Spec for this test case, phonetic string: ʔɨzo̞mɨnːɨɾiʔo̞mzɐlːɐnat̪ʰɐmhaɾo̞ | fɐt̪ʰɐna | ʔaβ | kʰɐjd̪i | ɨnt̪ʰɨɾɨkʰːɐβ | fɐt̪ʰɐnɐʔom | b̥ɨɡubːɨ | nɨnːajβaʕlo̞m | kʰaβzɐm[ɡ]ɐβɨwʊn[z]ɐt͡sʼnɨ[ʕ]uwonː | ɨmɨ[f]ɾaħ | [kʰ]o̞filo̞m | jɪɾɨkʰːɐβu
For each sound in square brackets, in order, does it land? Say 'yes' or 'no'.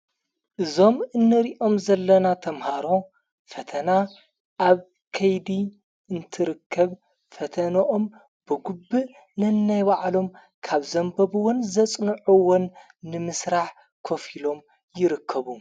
no, yes, yes, no, yes

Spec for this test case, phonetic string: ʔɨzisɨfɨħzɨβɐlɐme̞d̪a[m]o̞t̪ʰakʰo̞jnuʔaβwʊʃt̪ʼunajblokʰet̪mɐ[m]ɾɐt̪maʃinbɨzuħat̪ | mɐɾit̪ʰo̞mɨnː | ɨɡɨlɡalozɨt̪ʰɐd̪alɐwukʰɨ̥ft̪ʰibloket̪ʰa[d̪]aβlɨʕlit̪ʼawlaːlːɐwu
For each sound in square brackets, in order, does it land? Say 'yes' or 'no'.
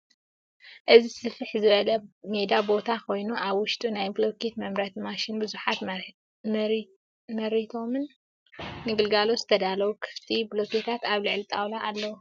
no, yes, no

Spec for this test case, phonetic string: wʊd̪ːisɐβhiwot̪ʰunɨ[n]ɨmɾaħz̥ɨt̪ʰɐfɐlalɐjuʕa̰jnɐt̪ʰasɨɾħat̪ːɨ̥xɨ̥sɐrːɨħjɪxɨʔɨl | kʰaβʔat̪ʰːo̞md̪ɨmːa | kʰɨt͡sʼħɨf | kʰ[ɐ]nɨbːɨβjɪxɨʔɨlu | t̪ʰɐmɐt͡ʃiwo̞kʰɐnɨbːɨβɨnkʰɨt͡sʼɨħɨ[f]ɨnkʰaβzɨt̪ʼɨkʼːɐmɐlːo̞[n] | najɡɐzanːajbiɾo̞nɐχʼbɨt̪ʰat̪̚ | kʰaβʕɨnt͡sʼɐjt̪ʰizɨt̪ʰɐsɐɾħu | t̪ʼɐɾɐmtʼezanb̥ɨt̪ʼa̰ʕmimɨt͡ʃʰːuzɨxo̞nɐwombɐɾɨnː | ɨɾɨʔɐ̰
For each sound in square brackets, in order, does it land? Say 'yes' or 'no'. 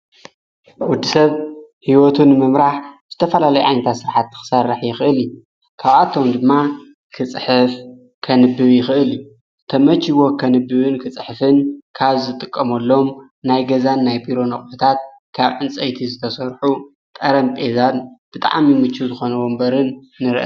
no, yes, yes, no

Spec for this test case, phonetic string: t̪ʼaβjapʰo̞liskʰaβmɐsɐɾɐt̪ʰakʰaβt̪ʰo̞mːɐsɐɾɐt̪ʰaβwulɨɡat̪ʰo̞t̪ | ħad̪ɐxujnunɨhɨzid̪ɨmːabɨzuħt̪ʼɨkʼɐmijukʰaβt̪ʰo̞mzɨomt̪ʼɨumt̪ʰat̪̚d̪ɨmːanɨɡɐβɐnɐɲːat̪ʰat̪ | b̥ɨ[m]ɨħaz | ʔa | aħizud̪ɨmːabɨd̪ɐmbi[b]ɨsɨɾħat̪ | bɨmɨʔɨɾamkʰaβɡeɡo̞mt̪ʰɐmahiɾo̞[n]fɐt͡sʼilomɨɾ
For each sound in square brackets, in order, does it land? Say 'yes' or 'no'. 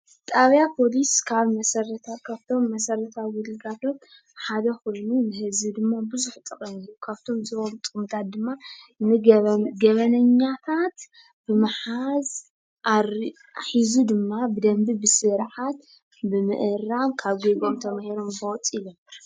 yes, yes, no

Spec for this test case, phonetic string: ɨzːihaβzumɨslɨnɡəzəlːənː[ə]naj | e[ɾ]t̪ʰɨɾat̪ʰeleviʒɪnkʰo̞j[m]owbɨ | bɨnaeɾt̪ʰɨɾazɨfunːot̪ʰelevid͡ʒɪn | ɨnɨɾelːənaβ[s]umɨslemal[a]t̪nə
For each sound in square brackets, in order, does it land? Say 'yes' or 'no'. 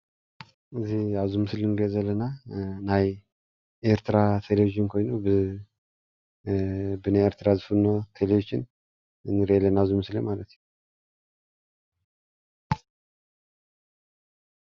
no, yes, no, no, no

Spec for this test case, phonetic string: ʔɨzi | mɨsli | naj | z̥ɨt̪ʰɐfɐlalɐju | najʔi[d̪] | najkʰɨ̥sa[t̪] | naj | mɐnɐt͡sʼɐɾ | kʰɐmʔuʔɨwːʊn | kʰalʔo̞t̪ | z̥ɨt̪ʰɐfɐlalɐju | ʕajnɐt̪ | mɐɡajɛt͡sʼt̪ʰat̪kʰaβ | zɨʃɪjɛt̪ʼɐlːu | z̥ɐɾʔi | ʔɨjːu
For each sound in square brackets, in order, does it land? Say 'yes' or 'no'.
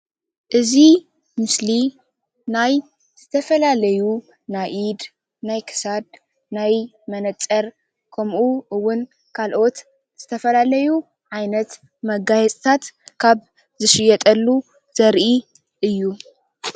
yes, no

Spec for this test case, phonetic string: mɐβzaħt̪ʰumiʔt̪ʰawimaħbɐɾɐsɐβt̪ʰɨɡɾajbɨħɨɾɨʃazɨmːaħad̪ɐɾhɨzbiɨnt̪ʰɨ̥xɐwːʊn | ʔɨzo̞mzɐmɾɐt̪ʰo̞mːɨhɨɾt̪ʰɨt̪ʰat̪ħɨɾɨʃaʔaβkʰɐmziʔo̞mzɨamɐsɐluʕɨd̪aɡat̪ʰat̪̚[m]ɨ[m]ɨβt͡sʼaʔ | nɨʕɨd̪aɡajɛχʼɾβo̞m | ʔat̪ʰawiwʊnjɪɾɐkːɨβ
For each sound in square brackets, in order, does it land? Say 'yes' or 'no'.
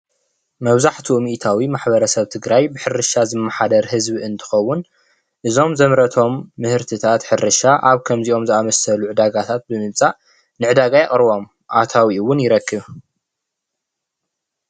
no, yes

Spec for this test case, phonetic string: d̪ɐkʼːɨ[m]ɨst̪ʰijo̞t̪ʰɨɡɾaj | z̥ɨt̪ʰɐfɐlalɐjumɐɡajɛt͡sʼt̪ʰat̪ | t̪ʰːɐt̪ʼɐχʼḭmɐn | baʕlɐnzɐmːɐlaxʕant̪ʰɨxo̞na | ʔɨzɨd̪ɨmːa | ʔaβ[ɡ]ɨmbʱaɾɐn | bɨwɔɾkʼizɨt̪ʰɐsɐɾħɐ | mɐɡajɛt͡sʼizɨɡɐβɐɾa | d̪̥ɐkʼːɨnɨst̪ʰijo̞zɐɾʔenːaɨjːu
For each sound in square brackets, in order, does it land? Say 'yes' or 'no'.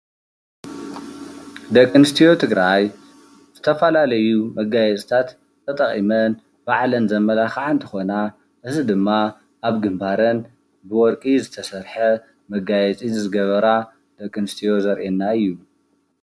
no, yes

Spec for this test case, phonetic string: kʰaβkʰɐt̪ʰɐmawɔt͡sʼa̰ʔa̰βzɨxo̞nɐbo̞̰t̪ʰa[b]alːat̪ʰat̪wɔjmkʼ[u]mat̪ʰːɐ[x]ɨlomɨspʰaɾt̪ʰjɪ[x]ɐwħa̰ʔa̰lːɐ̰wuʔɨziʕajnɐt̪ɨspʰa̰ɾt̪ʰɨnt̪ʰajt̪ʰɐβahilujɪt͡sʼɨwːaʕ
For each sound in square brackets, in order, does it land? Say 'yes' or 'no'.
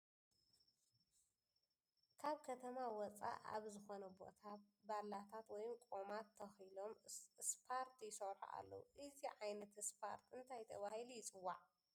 yes, no, yes, no

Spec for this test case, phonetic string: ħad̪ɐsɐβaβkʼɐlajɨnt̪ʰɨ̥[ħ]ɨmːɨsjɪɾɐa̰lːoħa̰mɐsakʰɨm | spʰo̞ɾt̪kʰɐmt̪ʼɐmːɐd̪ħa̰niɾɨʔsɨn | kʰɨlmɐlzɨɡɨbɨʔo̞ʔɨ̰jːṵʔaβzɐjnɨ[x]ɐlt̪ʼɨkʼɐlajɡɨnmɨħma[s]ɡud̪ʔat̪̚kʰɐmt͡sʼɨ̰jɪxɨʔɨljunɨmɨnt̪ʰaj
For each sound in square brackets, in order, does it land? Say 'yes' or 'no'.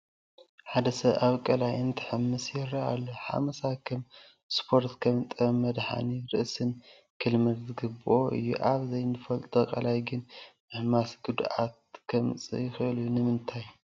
yes, no, yes

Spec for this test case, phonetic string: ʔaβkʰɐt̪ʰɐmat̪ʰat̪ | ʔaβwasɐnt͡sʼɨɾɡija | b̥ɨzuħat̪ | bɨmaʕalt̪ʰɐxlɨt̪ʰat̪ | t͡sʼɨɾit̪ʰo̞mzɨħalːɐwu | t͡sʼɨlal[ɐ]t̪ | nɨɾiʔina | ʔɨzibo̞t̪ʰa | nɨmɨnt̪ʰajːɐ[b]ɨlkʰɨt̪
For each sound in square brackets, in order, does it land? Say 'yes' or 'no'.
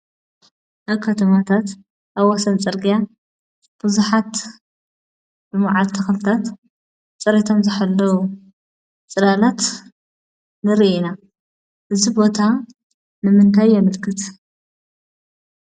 no, no

